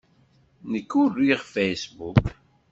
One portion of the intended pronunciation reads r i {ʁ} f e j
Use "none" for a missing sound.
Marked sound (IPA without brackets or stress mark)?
ʁ